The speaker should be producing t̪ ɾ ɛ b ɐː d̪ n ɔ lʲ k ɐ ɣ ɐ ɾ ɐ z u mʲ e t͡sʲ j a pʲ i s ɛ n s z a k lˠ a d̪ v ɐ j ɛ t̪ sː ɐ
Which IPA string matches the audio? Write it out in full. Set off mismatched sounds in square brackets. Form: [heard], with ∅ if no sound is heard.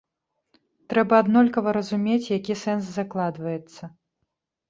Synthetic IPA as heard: t̪ ɾ ɛ b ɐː d̪ n ɔ lʲ k ɐ [v] ɐ ɾ ɐ z u mʲ e t͡sʲ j a [kʲ] i s ɛ n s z a k lˠ a d̪ v ɐ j ɛ t̪ sː ɐ